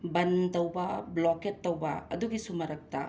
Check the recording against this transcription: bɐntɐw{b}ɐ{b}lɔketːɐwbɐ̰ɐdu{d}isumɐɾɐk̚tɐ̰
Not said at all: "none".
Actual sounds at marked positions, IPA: b, b, ɡ

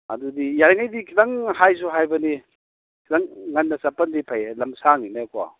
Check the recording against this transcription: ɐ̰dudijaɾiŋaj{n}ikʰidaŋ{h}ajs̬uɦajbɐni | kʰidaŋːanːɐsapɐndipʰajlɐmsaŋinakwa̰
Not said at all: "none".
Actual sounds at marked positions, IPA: d, h

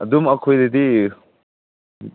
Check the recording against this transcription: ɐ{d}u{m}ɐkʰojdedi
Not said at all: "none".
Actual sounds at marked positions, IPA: d, m

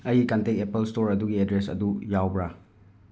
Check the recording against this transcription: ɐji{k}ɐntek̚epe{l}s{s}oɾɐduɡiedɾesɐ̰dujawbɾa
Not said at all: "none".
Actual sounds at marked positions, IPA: k, l, t

